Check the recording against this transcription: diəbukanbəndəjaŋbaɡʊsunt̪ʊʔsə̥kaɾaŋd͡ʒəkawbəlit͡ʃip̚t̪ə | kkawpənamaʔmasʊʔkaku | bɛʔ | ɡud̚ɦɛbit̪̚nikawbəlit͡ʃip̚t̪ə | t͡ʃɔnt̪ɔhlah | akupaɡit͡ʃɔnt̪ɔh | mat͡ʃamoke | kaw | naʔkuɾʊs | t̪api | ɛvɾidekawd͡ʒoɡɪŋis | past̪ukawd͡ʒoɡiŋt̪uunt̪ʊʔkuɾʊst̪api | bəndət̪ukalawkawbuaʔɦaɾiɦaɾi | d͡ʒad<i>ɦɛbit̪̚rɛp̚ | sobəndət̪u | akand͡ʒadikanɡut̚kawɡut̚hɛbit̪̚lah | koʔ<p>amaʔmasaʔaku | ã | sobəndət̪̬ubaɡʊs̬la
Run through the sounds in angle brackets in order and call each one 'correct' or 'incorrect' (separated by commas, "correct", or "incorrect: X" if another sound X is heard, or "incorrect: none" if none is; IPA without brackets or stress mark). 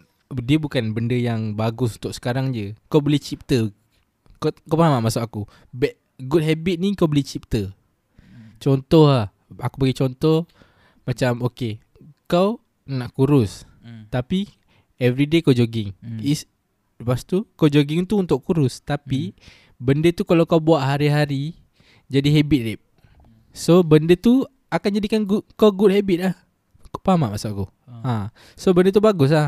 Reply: correct, correct